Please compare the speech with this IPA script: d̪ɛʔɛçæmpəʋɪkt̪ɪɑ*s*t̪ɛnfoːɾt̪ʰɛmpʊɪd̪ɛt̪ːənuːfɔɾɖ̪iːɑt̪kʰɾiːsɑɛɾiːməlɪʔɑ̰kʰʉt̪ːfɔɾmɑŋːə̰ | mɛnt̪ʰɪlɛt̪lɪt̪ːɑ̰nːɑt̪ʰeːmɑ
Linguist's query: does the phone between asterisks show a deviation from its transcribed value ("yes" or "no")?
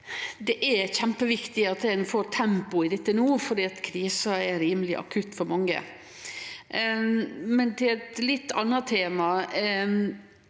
yes